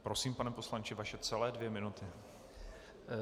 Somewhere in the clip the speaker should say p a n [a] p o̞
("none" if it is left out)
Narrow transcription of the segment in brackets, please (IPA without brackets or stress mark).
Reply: ɛ